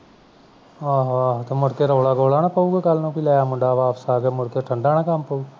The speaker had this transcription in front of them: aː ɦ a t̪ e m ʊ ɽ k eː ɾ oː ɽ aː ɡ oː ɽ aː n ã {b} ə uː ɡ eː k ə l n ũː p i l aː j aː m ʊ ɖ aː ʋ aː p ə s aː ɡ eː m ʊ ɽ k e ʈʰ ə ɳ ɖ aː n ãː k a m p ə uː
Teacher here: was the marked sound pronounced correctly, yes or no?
no